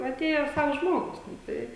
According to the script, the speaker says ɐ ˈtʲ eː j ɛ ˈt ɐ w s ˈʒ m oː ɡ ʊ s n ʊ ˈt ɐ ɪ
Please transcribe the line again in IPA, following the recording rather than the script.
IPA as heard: ɐ ˈtʲ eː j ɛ ˈs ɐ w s ˈʒ m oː ɡ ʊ s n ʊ ˈt ɐ ɪ